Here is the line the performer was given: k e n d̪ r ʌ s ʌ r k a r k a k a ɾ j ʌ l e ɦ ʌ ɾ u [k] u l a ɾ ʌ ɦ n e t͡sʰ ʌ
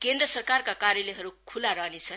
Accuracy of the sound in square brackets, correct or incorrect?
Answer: incorrect